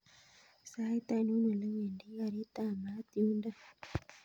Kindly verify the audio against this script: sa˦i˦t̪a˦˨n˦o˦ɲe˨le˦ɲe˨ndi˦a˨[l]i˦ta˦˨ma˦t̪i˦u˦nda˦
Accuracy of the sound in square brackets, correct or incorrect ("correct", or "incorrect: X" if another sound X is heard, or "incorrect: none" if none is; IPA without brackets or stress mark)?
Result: incorrect: ɾ